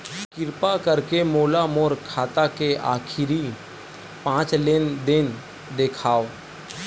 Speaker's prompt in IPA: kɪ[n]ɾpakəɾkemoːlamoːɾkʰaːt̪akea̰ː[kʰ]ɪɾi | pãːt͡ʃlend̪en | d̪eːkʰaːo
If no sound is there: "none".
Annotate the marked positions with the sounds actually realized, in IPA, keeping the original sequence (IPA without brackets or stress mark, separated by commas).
none, kʰ